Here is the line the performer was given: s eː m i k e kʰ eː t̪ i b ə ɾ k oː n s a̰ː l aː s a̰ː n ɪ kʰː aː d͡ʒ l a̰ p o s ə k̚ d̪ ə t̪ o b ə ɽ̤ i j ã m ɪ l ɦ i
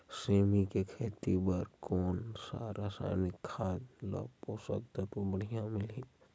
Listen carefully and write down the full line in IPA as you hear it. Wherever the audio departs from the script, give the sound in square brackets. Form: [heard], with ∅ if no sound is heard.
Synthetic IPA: s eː m i k e kʰ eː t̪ i b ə ɾ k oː n s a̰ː [ɾ] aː s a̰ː n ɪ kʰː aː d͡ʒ l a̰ p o s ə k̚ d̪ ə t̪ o b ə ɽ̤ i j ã m ɪ l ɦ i